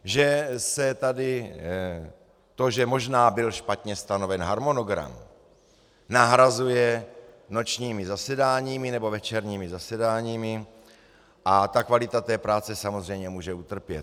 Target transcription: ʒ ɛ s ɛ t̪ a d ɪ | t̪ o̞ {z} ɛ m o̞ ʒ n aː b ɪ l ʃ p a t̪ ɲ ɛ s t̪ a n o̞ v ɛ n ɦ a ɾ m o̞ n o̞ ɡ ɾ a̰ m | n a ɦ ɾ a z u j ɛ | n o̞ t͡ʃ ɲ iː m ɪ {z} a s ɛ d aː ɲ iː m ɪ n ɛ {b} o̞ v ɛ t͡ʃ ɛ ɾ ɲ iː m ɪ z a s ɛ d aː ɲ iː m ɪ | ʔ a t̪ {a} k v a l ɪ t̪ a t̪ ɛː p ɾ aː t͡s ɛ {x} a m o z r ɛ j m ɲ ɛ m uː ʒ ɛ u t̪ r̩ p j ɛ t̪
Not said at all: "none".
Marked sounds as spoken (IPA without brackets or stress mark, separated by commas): ʒ, z, b, a, s